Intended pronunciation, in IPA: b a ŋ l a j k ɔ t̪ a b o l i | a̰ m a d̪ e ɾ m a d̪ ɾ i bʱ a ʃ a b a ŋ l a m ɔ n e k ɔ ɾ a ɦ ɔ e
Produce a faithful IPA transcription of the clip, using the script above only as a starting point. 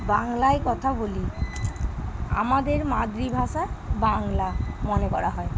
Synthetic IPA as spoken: b a ŋ l a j k ɔ t̪ʰ a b o l i | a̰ m a d̪ e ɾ m a d̪ ɾ i bʱ a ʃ a b a ŋ l a m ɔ n e k ɔ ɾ a ɦ ɔ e

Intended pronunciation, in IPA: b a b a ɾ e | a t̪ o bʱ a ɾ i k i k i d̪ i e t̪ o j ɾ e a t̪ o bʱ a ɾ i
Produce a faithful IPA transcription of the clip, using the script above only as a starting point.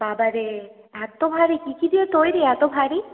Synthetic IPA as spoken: b a b a ɾ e | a t̪ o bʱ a ɾ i k i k i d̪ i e t̪ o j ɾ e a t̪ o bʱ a ɾ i

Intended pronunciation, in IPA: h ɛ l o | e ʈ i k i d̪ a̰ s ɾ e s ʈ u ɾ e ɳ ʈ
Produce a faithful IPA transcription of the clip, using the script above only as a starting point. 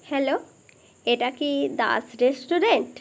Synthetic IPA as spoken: h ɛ l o | e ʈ a k i d̪ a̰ s ɾ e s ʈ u ɾ e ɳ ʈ

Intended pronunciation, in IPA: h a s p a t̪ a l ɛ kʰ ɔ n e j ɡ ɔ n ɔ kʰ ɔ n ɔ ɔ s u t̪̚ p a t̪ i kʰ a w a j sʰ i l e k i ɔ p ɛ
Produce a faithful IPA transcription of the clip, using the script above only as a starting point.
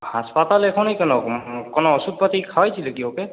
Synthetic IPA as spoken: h a s p a t̪ a l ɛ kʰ ɔ n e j k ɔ n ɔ k ɔ n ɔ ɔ s u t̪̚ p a t̪ i kʰ a w a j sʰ i l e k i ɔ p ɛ

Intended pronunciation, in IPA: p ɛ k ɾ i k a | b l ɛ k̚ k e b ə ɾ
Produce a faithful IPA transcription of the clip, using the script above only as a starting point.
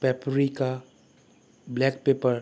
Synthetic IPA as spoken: p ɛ p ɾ i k a | b l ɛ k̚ p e p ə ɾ

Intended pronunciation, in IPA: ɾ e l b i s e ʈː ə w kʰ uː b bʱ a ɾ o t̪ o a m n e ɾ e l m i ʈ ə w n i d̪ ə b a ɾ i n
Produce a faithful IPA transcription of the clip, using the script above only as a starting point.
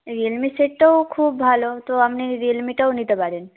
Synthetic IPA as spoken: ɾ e l m i s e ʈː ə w kʰ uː b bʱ a l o t̪ o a m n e ɾ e l m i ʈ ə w n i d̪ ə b a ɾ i n

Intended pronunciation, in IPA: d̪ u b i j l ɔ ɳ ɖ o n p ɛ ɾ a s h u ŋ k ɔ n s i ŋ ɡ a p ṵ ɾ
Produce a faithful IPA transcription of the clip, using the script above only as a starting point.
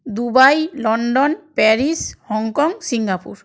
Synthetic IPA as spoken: d̪ u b a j l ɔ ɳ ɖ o n p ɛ ɾ i s h ɔ ŋ k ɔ ŋ s i ŋ ɡ a p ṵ ɾ

